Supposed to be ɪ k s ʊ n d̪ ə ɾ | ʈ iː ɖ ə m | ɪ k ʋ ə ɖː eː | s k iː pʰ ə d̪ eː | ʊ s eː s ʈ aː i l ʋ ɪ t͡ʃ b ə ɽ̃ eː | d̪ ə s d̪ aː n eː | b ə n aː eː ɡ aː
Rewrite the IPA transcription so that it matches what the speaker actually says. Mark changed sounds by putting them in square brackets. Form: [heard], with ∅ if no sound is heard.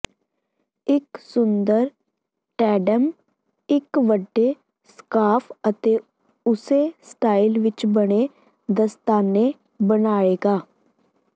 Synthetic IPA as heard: ɪ k s ʊ n d̪ ə ɾ | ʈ [ɛː] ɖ ə m | ɪ k ʋ ə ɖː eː | s k [aː] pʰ ə [t̪] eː | ʊ s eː s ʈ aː i l ʋ ɪ t͡ʃ b ə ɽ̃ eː | d̪ ə s [t̪] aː n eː | b ə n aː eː ɡ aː